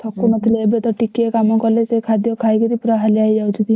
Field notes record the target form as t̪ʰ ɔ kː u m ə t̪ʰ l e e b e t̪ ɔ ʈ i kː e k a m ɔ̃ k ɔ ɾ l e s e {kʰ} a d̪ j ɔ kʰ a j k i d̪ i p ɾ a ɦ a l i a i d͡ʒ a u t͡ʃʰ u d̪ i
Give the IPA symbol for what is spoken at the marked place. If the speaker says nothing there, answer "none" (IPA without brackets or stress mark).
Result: kʰ